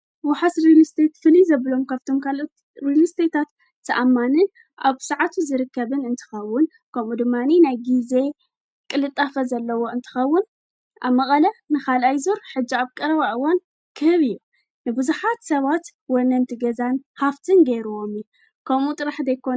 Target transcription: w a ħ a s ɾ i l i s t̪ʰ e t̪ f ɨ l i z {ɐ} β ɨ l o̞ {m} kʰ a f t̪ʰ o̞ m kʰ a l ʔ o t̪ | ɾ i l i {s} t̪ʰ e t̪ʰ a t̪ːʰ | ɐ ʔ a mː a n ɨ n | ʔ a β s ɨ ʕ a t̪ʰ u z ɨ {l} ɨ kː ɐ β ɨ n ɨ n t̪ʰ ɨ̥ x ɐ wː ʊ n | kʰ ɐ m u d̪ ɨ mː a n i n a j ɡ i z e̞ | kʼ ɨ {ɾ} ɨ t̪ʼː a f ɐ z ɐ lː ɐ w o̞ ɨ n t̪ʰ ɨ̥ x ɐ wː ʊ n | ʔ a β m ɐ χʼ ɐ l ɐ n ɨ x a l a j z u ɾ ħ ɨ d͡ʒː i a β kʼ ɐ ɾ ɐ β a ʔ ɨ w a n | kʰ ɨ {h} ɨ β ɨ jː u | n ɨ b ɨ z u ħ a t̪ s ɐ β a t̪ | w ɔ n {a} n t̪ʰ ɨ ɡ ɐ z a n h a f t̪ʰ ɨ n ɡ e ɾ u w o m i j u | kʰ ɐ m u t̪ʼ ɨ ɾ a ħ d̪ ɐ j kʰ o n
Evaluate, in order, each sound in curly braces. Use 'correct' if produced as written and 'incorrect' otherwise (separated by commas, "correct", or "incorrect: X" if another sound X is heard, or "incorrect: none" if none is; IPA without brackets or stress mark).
correct, correct, correct, incorrect: ɾ, incorrect: l, correct, incorrect: ɐ